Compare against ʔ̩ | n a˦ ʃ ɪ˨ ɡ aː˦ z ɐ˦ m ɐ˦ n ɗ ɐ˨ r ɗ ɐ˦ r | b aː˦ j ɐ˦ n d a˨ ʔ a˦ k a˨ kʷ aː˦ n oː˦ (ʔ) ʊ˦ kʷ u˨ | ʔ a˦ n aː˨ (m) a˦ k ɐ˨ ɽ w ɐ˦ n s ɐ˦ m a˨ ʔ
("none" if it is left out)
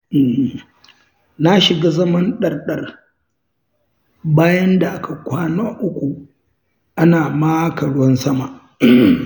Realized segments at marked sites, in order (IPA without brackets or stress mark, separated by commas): ʔ, m